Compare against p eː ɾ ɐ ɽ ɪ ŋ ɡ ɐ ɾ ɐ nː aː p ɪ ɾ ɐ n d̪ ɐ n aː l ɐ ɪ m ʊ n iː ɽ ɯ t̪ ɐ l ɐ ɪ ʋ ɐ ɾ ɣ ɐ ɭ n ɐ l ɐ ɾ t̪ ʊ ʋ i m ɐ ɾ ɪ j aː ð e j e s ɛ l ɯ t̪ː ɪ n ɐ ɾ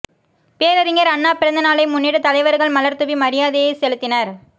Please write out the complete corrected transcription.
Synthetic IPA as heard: p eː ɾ ɐ ɾ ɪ ŋ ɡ ɐ ɾ ɐ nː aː p ɪ ɾ ɐ n d̪ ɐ n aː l ɐ ɪ m ʊ nː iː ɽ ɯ t̪ ɐ l ɐ ɪ ʋ ɐ ɾ ɣ ɐ ɭ m ɐ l ɐ ɾ t̪ ɯ ʋ i m ɐ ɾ ɪ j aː ð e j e s ɛ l ɯ t̪ː ɪ n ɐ ɾ